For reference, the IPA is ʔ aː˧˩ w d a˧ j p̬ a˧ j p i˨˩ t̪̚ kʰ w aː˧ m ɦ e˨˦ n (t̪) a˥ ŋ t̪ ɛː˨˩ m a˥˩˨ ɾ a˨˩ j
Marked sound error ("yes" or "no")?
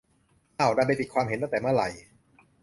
no